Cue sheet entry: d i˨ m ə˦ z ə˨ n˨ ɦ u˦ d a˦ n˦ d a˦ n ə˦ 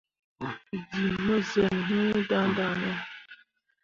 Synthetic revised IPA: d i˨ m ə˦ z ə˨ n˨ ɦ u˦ d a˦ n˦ d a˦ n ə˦